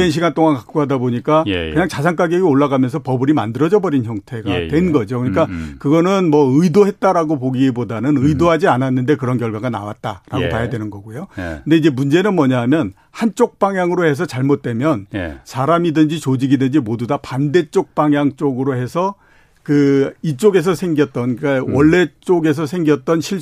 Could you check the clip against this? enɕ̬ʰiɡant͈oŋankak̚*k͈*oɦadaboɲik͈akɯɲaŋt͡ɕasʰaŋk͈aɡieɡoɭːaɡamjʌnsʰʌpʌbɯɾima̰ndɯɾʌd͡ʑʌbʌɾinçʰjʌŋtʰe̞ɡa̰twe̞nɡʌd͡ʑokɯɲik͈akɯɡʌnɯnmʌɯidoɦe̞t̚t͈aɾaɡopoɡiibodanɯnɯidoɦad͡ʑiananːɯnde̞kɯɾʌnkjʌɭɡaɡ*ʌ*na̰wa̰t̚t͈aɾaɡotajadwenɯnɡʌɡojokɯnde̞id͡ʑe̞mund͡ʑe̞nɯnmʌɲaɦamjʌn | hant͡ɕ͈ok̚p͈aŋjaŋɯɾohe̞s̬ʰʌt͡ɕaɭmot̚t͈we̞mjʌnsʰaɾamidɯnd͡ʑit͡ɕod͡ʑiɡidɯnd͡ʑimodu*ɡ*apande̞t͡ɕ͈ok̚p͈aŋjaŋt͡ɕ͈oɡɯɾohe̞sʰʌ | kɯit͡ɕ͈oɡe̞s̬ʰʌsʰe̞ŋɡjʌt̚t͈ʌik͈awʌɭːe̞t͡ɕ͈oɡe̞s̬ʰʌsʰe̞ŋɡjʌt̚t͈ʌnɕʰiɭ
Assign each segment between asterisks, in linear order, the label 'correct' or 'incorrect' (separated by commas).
correct, incorrect, incorrect